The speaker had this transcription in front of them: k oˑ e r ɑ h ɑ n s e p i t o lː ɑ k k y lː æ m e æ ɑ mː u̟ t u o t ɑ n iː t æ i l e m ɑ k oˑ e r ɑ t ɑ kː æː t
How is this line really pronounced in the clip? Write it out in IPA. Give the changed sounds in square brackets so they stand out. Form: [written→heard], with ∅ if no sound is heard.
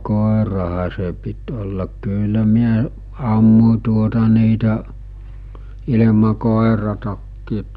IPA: k oˑ e r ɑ h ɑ [n→∅] s e p i t o lː ɑ k k y lː æ m [e→i] æ ɑ mː u̟ t u o t ɑ n iː t æ i l e m ɑ k oˑ e r ɑ t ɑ kː [æː→iː] t